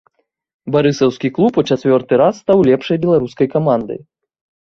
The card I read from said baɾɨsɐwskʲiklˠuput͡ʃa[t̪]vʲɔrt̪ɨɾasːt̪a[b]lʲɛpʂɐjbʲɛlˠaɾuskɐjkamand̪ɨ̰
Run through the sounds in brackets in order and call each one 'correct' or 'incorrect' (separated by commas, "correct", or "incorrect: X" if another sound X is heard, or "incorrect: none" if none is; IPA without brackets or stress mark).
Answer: correct, incorrect: w